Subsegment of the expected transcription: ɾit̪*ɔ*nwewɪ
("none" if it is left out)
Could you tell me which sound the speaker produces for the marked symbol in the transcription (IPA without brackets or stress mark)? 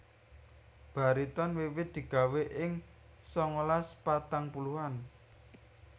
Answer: ɔ